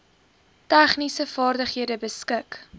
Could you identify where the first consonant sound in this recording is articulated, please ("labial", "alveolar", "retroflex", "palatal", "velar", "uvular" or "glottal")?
alveolar